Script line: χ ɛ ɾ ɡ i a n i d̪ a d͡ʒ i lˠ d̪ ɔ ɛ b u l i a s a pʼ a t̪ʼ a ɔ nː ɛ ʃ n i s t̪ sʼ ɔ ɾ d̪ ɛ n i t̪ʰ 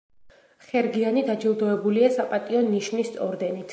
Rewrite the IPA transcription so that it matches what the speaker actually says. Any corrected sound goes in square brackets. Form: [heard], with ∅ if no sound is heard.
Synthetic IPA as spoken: χ ɛ ɾ ɡ i a n i d̪ a d͡ʒ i lˠ d̪ ɔ ɛ b u l i a s a pʼ a t̪ʼ [i] ɔ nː [i] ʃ n i s t̪ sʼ ɔ ɾ d̪ ɛ n i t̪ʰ